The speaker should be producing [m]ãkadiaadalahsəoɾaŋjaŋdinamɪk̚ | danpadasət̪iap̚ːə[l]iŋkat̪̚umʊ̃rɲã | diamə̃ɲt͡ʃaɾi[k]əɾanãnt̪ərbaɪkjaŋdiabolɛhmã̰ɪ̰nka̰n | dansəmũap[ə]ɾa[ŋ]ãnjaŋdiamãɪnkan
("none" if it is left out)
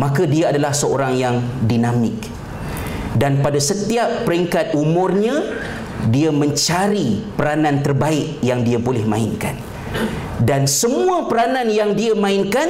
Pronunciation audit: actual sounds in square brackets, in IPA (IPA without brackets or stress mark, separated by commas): m, ɾ, p, ə, n